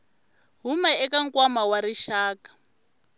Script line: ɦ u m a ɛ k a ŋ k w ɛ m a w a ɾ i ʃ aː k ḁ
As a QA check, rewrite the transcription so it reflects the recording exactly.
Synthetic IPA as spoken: ɦ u m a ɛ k a ŋ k w a m a w a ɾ i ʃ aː k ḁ